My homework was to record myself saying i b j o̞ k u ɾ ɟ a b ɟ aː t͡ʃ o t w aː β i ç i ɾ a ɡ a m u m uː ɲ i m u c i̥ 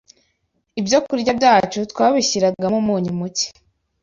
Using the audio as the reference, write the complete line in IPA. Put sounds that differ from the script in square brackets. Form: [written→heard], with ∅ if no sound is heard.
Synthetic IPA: i b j o̞ k u ɾ ɟ a b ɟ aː t͡ʃ [o→u] t w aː β i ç i ɾ a ɡ a m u m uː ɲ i m u c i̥

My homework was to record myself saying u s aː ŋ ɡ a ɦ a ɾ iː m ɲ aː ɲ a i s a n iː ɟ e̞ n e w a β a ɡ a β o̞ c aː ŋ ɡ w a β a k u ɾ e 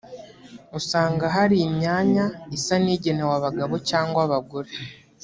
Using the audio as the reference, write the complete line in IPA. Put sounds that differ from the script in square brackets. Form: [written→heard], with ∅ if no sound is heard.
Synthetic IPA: u s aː ŋ ɡ a ɦ a ɾ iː m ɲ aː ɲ a i s a n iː ɟ e̞ n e w a β a ɡ a β o̞ c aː ŋ ɡ w a β a [k→ɡ] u ɾ e

